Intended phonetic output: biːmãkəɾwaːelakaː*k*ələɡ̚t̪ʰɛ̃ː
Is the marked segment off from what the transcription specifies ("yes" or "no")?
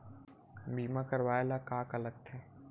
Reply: no